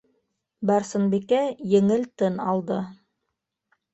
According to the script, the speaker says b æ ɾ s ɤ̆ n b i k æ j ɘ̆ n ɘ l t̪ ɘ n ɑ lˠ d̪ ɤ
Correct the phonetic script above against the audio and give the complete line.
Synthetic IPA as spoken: b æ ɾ s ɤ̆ n b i k æ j ɘ̆ ŋ ɘ l t̪ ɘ n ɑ lˠ d̪ ɤ

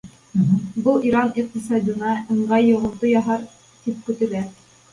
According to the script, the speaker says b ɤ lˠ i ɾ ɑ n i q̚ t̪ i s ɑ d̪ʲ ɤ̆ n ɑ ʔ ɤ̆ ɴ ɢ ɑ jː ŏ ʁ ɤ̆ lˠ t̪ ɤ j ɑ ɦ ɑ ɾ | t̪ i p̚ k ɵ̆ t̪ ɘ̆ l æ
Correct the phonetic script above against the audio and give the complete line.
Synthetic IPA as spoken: b ɤ lˠ i ɾ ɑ n i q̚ t̪ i s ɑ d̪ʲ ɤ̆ n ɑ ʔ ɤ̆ ɴ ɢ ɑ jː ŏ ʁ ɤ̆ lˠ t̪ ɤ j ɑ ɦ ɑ ɾ | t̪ i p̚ k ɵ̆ t̪ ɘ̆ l æ

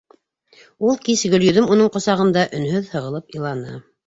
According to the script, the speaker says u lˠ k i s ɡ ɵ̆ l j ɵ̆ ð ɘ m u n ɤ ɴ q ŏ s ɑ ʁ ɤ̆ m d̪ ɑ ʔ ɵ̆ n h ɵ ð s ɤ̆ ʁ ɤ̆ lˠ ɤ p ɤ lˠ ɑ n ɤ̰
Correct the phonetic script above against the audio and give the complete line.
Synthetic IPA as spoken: u lˠ k i s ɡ ɵ̆ l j ɵ̆ ð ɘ m u n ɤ ɴ q ŏ s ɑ ʁ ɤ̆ n d̪ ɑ ʔ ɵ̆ n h ɵ ð h ɤ̆ ʁ ɤ̆ lˠ ɤ p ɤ lˠ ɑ n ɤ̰

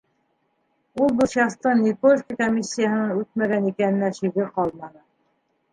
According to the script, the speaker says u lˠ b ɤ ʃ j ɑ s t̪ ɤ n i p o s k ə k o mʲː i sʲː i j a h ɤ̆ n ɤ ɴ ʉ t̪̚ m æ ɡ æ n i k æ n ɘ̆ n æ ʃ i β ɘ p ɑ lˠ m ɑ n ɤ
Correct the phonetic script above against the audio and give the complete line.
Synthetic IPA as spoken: u lˠ b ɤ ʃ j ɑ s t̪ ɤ n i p o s k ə k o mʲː i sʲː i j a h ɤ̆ n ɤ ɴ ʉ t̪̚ m æ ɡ æ n i k æ n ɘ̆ n æ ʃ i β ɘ q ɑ lˠ m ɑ n ɤ

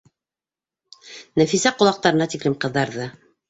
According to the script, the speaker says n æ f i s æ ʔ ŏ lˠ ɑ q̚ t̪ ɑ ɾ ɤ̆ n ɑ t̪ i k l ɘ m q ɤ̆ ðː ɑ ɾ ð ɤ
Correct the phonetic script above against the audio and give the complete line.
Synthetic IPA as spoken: n æ f i s æ q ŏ lˠ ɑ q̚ t̪ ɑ ɾ ɤ̆ n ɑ t̪ i k l ɘ m q ɤ̆ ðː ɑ ɾ ð ɤ

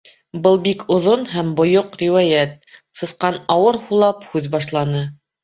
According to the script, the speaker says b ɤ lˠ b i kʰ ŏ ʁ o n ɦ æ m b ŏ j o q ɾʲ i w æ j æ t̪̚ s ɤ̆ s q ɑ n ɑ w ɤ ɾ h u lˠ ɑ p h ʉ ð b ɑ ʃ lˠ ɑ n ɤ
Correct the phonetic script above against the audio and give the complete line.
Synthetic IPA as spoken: b ɤ lˠ b i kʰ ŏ ð o n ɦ æ m b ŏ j o q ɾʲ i w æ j æ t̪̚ s ɤ̆ s q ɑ n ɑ w ɤ ɾ h u lˠ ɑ p h ʉ ð b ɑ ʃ lˠ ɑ n ɤ

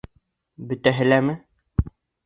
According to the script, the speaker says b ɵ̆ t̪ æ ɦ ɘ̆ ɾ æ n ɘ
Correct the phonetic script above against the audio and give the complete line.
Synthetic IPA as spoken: b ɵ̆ t̪ æ ɦ ɘ̆ l æ m ɘ

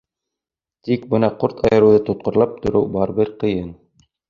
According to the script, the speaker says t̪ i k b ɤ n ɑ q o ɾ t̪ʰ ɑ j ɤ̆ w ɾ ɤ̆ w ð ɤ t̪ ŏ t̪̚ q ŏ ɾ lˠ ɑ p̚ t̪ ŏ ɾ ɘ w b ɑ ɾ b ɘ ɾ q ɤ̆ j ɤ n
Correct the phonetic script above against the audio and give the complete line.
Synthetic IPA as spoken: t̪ i k b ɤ n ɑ q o ɾ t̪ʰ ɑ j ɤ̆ ɾ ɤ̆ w ð ɤ t̪ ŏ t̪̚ q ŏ ɾ lˠ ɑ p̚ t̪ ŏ ɾ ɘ w b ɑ ɾ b ɘ ɾ q ɤ̆ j ɤ n

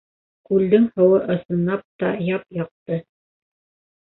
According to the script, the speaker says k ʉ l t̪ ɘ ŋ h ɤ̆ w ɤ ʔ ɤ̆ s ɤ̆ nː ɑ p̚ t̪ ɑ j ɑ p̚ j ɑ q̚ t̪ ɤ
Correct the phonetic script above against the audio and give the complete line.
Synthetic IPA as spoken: k ʉ l d̪ ɘ ŋ h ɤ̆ w ɤ ʔ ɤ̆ s ɤ̆ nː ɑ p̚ t̪ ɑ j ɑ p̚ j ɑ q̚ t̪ ɤ

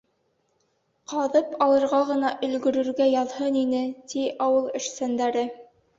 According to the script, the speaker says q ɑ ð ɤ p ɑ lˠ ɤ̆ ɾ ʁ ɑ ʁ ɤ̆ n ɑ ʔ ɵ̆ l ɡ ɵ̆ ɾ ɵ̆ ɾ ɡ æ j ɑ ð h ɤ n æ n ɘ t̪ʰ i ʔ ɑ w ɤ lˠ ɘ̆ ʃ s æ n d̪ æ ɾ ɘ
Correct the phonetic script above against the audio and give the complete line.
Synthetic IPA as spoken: q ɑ ð ɤ p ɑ lˠ ɤ̆ ɾ ʁ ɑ ʁ ɤ̆ n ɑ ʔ ɵ̆ l ɡ ɵ̆ ɾ ɵ̆ ɾ ɡ æ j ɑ ð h ɤ n i n ɘ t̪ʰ i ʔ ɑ w ɤ lˠ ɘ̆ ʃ s æ n d̪ æ ɾ ɘ

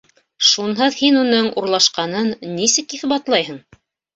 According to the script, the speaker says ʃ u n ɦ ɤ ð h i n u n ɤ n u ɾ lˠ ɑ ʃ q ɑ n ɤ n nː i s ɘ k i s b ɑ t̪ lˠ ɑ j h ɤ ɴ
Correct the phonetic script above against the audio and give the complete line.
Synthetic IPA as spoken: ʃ u n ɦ ɤ ð h i n u n ɤ ɴ u ɾ lˠ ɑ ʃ q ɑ n ɤ n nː i s ɘ k i θ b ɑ t̪ lˠ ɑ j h ɤ ɴ

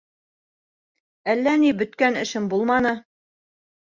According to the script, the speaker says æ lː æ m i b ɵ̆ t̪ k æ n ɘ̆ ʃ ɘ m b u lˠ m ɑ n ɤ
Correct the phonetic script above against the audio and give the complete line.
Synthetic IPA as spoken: æ lː æ n i b ɵ̆ t̪ k æ n ɘ̆ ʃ ɘ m b u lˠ m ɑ n ɤ

